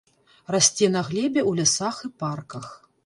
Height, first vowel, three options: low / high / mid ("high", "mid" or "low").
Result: low